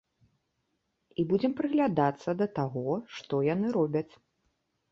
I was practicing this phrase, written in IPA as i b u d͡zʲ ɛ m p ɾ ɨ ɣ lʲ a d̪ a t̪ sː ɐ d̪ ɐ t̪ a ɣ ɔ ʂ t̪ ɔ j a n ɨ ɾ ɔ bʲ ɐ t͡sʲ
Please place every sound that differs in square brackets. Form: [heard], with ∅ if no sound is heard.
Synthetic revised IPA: i b u d͡zʲ ɛ m p ɾ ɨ ɣ lʲ a d̪ a t̪ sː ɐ d̪ ɐ t̪ a ɣ ɔ ʂ t̪ ɔ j a n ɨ ɾ ɔ bʲ ɐ t͡sʲ